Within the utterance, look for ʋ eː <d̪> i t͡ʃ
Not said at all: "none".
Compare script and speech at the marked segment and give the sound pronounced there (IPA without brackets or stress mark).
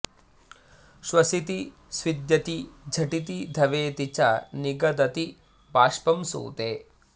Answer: t̪